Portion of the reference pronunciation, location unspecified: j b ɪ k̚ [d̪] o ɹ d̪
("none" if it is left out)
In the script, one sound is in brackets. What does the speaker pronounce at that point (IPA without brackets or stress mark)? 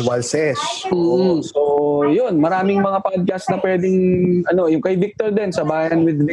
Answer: t̪